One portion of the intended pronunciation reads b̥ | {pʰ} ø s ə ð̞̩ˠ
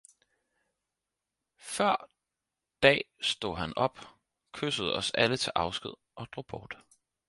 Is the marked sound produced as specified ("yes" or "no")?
no